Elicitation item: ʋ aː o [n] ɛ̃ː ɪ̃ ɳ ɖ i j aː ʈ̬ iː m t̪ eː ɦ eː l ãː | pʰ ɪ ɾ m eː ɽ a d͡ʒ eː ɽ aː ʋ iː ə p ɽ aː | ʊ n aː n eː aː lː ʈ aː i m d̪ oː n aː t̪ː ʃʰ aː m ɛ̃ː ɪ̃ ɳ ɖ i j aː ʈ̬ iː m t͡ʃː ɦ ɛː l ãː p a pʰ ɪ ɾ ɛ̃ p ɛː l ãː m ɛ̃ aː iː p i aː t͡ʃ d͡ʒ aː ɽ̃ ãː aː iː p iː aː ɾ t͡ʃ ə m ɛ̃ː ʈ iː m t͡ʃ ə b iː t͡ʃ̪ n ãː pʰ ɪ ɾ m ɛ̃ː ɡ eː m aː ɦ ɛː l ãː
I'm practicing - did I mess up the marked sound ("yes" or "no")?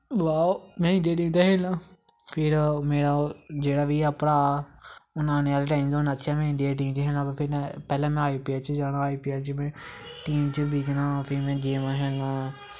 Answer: yes